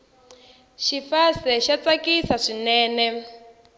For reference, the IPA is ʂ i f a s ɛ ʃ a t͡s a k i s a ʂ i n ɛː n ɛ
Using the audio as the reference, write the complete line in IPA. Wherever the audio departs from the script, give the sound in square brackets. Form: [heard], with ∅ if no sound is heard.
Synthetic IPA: [ʃ] i f a s ɛ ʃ a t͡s a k i s a ʂ i n ɛː n ɛ